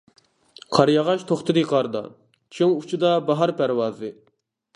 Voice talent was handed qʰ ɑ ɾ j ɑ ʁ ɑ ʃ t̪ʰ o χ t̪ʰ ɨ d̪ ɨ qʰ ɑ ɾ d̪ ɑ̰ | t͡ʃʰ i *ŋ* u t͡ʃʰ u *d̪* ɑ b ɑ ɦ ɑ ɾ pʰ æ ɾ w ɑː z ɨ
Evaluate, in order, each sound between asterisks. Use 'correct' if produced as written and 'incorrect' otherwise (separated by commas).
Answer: correct, correct